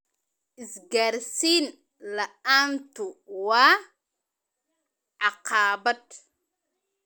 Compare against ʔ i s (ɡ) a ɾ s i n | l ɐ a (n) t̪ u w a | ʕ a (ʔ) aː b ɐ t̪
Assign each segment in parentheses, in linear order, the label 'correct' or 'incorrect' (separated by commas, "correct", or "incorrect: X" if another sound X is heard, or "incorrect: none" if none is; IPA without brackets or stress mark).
correct, correct, incorrect: q